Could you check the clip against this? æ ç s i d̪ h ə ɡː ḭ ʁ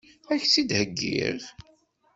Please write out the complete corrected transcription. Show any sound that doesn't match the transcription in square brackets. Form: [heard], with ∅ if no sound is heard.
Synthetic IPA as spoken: æ ç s i d̪ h ə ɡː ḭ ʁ